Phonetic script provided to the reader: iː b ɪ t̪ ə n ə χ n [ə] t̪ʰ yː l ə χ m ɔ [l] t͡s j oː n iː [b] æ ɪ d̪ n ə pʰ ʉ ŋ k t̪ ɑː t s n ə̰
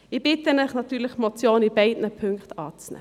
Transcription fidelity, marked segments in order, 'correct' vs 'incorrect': incorrect: ɑ, incorrect: none, correct

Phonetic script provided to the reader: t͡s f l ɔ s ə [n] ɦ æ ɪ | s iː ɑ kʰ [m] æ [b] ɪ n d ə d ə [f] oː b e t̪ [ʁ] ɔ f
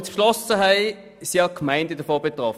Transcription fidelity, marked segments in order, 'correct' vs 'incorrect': incorrect: none, correct, incorrect: none, correct, correct

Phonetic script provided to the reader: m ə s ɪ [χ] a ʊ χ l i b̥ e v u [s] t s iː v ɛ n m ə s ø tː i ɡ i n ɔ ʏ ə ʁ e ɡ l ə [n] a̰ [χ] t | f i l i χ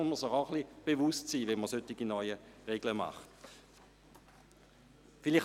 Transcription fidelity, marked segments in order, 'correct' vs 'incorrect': correct, correct, incorrect: m, correct

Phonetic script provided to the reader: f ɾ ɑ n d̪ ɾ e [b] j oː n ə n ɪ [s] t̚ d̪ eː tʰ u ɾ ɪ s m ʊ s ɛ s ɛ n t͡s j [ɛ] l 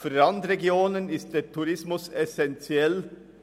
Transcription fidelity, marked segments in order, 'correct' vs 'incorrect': incorrect: ɡ, correct, correct

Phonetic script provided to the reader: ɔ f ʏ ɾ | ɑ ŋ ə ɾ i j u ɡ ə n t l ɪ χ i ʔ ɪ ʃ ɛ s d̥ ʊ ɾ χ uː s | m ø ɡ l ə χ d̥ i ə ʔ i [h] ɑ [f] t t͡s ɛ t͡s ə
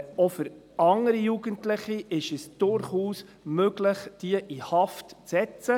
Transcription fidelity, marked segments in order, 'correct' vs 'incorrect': correct, correct

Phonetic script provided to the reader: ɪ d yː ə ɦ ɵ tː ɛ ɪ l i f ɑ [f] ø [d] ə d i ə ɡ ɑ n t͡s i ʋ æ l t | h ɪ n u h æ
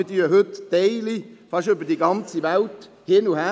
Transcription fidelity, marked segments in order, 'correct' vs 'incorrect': incorrect: ʃ, incorrect: b

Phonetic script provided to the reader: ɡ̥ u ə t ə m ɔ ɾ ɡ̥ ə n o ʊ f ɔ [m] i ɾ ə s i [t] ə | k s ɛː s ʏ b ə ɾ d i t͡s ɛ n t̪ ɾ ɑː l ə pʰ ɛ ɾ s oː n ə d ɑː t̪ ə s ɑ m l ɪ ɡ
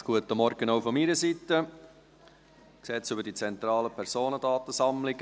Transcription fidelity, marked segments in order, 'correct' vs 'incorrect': correct, correct

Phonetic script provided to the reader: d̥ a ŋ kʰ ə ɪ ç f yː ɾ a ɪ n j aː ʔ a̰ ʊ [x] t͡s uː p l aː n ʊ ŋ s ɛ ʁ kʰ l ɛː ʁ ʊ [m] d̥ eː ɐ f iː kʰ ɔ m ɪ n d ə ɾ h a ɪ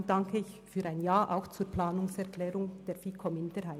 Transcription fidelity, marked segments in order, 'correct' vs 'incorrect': correct, incorrect: ŋ

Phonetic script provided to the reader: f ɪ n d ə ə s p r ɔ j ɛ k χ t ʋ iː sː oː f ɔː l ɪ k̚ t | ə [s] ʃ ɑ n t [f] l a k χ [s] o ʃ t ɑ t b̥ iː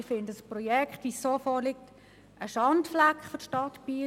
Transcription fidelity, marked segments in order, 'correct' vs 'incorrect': incorrect: none, correct, incorrect: f

